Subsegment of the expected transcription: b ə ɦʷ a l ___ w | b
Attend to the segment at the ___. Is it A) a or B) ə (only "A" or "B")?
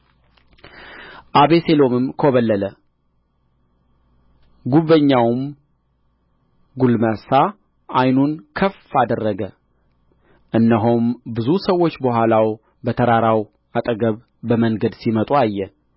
A